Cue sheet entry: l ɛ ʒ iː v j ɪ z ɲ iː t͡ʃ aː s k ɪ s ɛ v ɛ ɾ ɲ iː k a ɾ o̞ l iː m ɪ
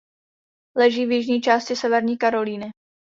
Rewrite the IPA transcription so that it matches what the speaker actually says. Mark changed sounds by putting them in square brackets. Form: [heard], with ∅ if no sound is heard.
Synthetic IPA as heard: l ɛ ʒ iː v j ɪ [ʒ] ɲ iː t͡ʃ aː s [c] ɪ s ɛ v ɛ ɾ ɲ iː k a ɾ o̞ l iː [n] ɪ

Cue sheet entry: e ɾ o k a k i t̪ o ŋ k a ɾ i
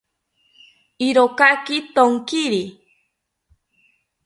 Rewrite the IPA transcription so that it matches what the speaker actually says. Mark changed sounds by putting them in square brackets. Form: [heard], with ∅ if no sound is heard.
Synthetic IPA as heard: [i] ɾ o k a k i t̪ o ŋ k [i] ɾ i

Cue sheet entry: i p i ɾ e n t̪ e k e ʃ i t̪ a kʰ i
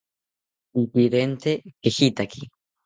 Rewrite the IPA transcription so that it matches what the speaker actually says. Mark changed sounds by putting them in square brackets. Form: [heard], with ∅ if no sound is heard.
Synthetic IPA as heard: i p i ɾ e n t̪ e k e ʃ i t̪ a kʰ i

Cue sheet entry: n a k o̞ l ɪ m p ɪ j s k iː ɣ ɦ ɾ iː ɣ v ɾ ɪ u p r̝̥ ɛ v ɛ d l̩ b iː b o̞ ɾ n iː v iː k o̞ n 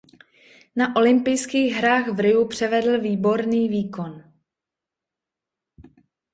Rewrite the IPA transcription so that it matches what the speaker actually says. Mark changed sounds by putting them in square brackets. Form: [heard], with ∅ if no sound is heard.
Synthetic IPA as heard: n a [ʔ] o̞ l ɪ m p ɪ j s k iː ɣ ɦ ɾ [aː] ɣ v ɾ ɪ u p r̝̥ ɛ v ɛ d l̩ [v] iː b o̞ ɾ n iː v iː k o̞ n

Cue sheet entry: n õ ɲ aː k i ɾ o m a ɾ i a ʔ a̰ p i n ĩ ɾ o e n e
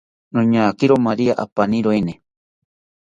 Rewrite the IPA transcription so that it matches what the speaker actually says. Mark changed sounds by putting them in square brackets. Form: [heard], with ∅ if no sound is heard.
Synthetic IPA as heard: n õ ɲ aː k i ɾ o m a ɾ i a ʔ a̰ p [a] n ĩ ɾ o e n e

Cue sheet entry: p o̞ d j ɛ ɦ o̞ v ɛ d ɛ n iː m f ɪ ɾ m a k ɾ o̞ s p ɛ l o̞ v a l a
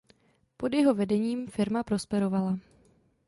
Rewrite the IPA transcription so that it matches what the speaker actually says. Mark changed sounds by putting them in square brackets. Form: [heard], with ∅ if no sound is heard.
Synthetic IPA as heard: p o̞ d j ɛ ɦ o̞ v ɛ d ɛ [ɲ] iː m f ɪ ɾ m a [p] ɾ o̞ s p ɛ [ɾ] o̞ v a l a

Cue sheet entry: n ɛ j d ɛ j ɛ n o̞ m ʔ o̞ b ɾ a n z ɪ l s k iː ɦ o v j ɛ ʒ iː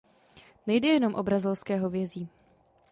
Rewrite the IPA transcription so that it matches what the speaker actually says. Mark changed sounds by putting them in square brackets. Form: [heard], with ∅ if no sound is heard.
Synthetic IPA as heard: n ɛ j d ɛ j ɛ n o̞ m ʔ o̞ b ɾ a [∅] z ɪ l s k [ɛː] ɦ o v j ɛ [z] iː

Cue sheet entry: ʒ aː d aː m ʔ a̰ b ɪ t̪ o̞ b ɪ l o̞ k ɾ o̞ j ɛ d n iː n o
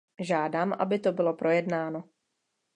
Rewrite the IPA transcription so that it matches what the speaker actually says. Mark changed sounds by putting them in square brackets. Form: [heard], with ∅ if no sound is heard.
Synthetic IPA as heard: ʒ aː d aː m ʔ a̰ b ɪ t̪ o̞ b ɪ l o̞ [p] ɾ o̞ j ɛ d n [aː] n o

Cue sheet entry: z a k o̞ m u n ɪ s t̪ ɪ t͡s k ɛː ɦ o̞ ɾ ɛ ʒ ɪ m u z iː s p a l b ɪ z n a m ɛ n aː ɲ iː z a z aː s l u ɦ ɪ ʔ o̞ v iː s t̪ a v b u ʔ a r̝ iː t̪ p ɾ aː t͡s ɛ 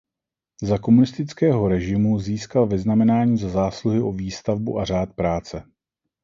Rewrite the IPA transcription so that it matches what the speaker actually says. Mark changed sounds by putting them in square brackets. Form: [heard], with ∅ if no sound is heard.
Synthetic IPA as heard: z a k o̞ m u n ɪ s t̪ ɪ t͡s k ɛː ɦ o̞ ɾ ɛ ʒ ɪ m u z iː s [k] a l [v] ɪ z n a m ɛ n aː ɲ iː z a z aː s l u ɦ ɪ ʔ o̞ v iː s t̪ a v b u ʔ a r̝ [aː] t̪ p ɾ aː t͡s ɛ

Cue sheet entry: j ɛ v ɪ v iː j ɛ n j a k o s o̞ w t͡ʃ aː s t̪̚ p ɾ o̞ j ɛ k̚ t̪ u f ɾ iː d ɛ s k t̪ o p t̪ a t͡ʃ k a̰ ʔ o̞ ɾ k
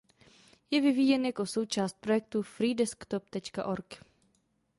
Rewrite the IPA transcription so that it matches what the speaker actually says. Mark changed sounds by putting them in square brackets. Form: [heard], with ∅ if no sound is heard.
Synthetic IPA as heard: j ɛ v ɪ v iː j ɛ n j a k o s o̞ w t͡ʃ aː s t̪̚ p ɾ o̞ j ɛ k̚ t̪ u f ɾ iː d ɛ s k t̪ o p t̪ [ɛ] t͡ʃ k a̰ ʔ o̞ ɾ k

